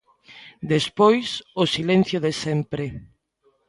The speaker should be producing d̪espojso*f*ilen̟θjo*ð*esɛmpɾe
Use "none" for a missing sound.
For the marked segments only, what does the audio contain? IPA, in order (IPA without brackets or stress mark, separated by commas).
s, ð